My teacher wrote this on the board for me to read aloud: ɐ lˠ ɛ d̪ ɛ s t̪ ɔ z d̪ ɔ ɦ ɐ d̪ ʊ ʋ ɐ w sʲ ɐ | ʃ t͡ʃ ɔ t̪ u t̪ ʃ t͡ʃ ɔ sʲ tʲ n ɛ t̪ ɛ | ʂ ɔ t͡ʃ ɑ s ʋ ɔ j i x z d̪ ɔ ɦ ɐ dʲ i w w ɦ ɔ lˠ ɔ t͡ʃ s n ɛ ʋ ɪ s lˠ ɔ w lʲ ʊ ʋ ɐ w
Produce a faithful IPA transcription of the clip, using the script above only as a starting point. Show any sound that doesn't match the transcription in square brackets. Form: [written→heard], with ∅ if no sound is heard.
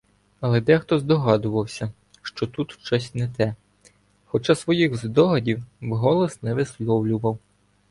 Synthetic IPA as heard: ɐ lˠ ɛ d̪ ɛ [s→x] t̪ ɔ z d̪ ɔ ɦ [ɐ→ɑ] d̪ ʊ ʋ ɐ w sʲ ɐ | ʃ t͡ʃ ɔ t̪ u t̪ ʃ t͡ʃ ɔ sʲ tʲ n ɛ t̪ ɛ | [ʂ→x] ɔ t͡ʃ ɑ s ʋ ɔ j i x z d̪ ɔ ɦ ɐ dʲ i w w ɦ ɔ lˠ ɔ [t͡ʃ→∅] s n ɛ ʋ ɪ s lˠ ɔ w lʲ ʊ ʋ ɐ w

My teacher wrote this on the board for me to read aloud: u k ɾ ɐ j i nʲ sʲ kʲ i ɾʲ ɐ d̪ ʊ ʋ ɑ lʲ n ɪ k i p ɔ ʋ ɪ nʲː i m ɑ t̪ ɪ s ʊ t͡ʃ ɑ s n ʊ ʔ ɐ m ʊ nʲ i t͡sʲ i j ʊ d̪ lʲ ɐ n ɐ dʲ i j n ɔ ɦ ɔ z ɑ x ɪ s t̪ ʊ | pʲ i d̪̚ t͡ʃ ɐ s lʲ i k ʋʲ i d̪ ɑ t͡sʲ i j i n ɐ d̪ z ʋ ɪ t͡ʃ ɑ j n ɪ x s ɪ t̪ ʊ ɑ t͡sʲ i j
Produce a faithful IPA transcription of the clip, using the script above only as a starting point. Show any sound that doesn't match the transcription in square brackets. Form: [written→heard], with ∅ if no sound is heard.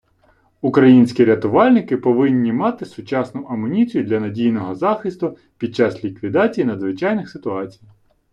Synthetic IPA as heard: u k ɾ ɐ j i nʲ sʲ kʲ i ɾʲ ɐ [d̪→t̪] ʊ ʋ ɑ lʲ n ɪ k [i→ɪ] p ɔ ʋ ɪ nʲː i m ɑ t̪ ɪ s ʊ t͡ʃ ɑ s n ʊ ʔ ɐ m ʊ nʲ i t͡sʲ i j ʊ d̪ lʲ ɐ n ɐ dʲ i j n ɔ ɦ ɔ z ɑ x ɪ s t̪ ʊ | pʲ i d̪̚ t͡ʃ [ɐ→ɑ] s lʲ i k ʋʲ i d̪ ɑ t͡sʲ i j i n ɐ d̪ z ʋ ɪ t͡ʃ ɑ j n ɪ x s ɪ t̪ ʊ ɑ t͡sʲ i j

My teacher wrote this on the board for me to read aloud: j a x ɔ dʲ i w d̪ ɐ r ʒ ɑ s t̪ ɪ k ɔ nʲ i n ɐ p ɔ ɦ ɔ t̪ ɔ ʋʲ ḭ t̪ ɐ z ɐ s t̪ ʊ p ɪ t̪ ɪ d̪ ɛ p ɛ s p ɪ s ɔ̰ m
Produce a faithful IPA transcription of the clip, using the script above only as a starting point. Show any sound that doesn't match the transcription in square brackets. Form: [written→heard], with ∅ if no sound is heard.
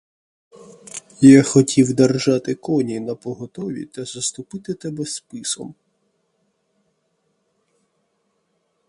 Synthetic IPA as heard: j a x ɔ [dʲ→tʲ] i w d̪ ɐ r ʒ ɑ [s→∅] t̪ ɪ k ɔ nʲ i n ɐ p ɔ ɦ ɔ t̪ ɔ ʋʲ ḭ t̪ ɐ z ɐ s t̪ ʊ p ɪ t̪ ɪ [d̪→t̪] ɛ [p→b] ɛ s p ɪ s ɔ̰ m

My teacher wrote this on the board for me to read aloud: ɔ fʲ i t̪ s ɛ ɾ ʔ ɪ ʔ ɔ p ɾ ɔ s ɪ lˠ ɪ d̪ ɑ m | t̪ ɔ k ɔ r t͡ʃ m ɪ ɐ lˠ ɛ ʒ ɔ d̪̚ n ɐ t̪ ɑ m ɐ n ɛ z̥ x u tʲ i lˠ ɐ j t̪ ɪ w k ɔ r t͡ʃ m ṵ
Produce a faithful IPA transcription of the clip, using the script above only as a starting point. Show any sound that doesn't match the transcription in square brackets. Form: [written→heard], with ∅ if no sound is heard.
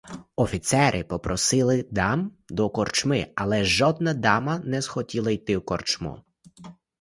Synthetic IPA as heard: ɔ fʲ i t̪ s ɛ ɾ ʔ ɪ [ʔ→p] ɔ p ɾ ɔ s ɪ lˠ ɪ d̪ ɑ m | [t̪→d̪] ɔ k ɔ r t͡ʃ m ɪ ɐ lˠ ɛ ʒ ɔ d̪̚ n ɐ [t̪→d̪] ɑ m ɐ n ɛ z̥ x [u→ɔ] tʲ i lˠ ɐ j t̪ ɪ w k ɔ r t͡ʃ m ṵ

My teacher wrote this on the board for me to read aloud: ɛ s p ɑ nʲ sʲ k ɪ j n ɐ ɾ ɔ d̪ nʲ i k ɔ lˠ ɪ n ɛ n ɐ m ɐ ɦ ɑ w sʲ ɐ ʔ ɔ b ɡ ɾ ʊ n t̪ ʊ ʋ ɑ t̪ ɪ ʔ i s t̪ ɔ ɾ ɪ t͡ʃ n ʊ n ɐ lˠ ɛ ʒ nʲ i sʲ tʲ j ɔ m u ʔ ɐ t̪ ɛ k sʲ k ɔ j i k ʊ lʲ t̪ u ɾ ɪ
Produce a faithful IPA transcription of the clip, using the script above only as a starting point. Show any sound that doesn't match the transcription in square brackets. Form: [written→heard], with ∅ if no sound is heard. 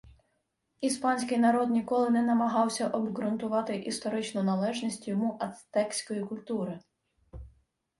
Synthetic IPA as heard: [ɛ→i] s p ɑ nʲ sʲ k ɪ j n ɐ ɾ ɔ d̪ nʲ i k ɔ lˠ ɪ n ɛ n ɐ m ɐ ɦ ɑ w sʲ ɐ ʔ ɔ b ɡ ɾ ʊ n t̪ ʊ ʋ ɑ t̪ ɪ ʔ i s t̪ ɔ ɾ ɪ t͡ʃ n ʊ n ɐ lˠ ɛ ʒ nʲ i sʲ tʲ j ɔ m u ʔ ɐ t̪ ɛ k sʲ k ɔ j i k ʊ lʲ t̪ u ɾ ɪ

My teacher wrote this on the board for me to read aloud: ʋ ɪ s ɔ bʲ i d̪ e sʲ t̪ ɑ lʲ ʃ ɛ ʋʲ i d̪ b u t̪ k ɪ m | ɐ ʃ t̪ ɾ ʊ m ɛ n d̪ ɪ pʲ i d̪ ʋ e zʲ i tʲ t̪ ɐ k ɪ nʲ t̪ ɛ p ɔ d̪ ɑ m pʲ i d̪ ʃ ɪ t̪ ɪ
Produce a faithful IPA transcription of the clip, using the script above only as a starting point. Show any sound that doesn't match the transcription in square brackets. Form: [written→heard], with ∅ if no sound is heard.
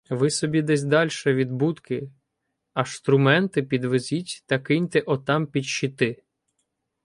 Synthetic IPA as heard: ʋ ɪ s ɔ bʲ i d̪ [e→ɛ] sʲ [t̪→d̪] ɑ lʲ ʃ ɛ ʋʲ i d̪ b u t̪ k ɪ [m→∅] | ɐ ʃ t̪ ɾ ʊ m ɛ n [d̪→t̪] ɪ pʲ i d̪ ʋ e zʲ i tʲ t̪ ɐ k ɪ nʲ t̪ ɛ [p→ʔ] ɔ [d̪→t̪] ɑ m pʲ i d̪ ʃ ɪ t̪ ɪ

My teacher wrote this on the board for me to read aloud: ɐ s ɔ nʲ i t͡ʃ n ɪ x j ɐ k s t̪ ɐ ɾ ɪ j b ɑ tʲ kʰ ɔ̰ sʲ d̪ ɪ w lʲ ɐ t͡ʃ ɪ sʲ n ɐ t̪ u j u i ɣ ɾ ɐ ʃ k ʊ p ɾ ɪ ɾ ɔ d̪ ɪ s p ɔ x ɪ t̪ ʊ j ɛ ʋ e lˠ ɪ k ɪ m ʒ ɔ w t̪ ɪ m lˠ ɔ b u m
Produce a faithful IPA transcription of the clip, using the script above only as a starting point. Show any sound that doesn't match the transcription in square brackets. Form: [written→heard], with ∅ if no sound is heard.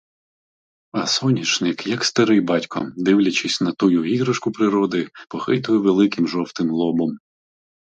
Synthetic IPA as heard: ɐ s ɔ nʲ i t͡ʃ n ɪ [x→k] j ɐ k s t̪ ɐ ɾ ɪ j b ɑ tʲ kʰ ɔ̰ [sʲ→∅] d̪ ɪ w lʲ ɐ t͡ʃ ɪ sʲ n ɐ t̪ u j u i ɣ ɾ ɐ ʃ k ʊ p ɾ ɪ ɾ ɔ d̪ ɪ [s→∅] p ɔ x ɪ t̪ ʊ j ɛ ʋ e lˠ ɪ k ɪ m ʒ ɔ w t̪ ɪ m lˠ ɔ b [u→ɔ] m

